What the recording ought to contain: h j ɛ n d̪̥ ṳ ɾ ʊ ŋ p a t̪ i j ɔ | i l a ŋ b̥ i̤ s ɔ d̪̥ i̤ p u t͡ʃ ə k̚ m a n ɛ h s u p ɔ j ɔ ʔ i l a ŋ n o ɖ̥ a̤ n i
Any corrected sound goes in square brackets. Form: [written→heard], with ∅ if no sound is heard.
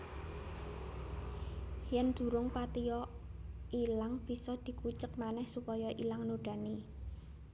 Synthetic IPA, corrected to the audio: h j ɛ n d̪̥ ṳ ɾ ʊ ŋ p a t̪ i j ɔ | i l a ŋ b̥ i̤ s ɔ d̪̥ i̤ [p→k] u t͡ʃ ə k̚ m a n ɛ h s u p ɔ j ɔ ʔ i l a ŋ n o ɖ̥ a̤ n i

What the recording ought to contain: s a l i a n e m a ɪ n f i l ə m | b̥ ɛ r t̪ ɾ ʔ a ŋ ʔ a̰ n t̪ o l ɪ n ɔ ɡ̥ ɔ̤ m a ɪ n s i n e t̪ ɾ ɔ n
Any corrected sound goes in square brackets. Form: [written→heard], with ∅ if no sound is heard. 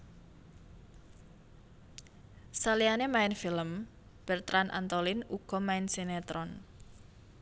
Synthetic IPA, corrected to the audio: s a l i a n e m a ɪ n f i l ə m | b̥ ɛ r t̪ ɾ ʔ a [ŋ→n] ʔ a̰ n t̪ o l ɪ n [ɔ→u] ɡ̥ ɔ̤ m a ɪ n s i n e t̪ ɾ ɔ n

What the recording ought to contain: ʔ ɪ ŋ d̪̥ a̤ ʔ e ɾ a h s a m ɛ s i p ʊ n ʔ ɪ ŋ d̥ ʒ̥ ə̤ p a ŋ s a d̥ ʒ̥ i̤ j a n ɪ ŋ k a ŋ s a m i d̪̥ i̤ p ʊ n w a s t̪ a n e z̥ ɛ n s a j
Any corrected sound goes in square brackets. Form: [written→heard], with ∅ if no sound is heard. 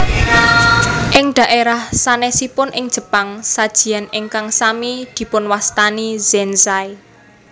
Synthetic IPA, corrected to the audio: ʔ ɪ ŋ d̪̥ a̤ ʔ e ɾ a h s a [m→n] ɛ s i p ʊ n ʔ ɪ ŋ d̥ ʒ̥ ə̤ p a ŋ s a d̥ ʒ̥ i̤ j a n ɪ ŋ k a ŋ s a m i d̪̥ i̤ p ʊ n w a s t̪ a n [e→i] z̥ ɛ n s a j

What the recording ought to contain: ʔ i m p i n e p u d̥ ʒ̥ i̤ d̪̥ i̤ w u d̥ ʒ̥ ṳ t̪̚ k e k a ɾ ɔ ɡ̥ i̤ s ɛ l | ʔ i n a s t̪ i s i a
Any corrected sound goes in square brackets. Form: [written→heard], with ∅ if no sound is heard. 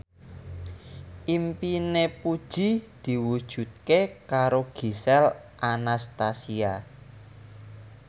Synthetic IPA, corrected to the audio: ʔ i m p i n e p u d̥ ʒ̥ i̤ d̪̥ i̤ w u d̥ ʒ̥ ṳ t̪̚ k e k a ɾ [ɔ→o] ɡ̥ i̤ s ɛ l | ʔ [i→a] n a s t̪ [i→a] s i a

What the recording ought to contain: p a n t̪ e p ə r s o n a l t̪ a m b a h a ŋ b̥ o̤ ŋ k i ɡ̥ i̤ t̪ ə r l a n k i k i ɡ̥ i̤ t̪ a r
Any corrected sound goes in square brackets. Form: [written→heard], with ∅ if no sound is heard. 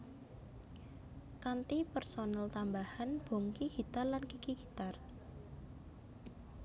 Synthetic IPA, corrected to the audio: [p→k] a n t̪ [e→i] p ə r s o n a l t̪ a m b a h a [ŋ→n] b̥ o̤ ŋ k i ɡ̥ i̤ t̪ [ə→a] r l a n k i k i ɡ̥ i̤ t̪ a r

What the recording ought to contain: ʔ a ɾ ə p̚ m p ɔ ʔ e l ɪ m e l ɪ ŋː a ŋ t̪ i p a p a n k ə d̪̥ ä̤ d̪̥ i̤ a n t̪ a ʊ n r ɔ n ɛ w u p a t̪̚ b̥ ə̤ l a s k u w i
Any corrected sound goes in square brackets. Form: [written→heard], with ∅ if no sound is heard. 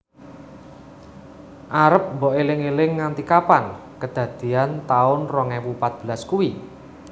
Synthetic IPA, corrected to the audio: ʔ a ɾ ə p̚ m [p→b] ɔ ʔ e l ɪ [m→ŋ] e l ɪ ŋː a [ŋ→n] t̪ i [p→k] a p a n k ə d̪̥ ä̤ d̪̥ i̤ a n t̪ a ʊ n r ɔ [n→ŋ] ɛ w u p a t̪̚ b̥ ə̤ l a s k u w i

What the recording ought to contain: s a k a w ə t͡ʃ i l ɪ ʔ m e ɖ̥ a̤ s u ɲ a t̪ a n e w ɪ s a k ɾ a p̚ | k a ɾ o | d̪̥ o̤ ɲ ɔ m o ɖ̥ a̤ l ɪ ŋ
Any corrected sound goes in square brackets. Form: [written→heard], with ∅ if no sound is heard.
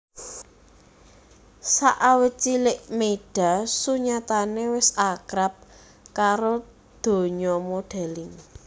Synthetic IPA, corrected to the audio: s a [k→ʔ] a w ə t͡ʃ i l ɪ ʔ m e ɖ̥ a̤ s u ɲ a t̪ a n e w ɪ s a k ɾ a p̚ | k a ɾ o | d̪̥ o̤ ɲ ɔ m o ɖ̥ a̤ l ɪ ŋ

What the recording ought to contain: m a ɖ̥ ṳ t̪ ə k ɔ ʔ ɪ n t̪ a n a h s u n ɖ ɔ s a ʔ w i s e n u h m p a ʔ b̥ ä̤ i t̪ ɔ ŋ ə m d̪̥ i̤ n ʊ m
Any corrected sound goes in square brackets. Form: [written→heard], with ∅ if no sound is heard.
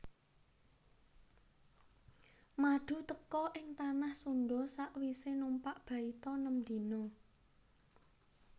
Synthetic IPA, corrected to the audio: m a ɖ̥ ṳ t̪ ə k ɔ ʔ ɪ [n→ŋ] t̪ a n a h s u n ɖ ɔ s a ʔ w i s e n u [h→∅] m p a ʔ b̥ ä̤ i t̪ ɔ [ŋ→n] ə m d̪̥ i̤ n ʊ [m→ŋ]

